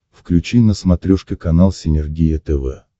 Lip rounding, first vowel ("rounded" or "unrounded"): rounded